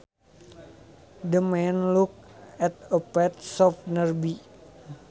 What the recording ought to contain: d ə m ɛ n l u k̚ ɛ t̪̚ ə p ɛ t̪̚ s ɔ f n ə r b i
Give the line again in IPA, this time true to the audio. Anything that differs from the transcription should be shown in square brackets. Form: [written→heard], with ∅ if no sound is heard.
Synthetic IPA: d ə m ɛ n l u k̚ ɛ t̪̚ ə p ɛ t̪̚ s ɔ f n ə r b i